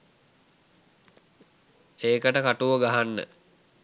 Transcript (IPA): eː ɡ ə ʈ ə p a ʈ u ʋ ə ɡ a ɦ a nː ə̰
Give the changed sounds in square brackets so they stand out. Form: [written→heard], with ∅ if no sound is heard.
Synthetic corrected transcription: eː [ɡ→k] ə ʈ ə [p→k] a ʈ u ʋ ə ɡ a ɦ a nː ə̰